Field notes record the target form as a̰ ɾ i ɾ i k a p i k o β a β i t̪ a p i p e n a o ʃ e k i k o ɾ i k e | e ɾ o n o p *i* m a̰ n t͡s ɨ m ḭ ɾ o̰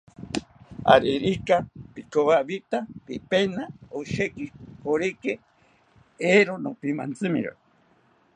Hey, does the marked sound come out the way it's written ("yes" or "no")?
yes